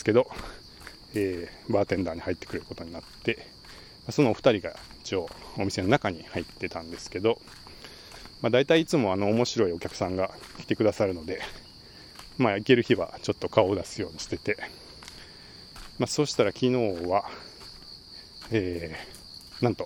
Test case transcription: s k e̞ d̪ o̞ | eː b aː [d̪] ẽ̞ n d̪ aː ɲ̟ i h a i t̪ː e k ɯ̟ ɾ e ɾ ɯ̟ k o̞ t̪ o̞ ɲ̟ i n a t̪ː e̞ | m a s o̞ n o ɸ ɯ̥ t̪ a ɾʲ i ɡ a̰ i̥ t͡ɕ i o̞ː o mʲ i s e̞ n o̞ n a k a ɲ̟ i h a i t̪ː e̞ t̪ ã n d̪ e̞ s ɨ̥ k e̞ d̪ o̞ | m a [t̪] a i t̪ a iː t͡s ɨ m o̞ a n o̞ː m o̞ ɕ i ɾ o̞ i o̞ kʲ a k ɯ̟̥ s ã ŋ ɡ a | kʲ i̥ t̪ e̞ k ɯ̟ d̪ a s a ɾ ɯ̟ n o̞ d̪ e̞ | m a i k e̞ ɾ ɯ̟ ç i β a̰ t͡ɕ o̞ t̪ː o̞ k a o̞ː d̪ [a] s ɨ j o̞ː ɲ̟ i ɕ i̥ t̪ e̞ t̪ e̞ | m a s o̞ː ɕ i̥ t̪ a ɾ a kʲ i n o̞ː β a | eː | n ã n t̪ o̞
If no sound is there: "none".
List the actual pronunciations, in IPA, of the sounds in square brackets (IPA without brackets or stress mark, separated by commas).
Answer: t̪, d̪, a